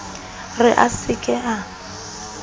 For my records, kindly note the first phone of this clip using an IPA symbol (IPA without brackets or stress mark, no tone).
r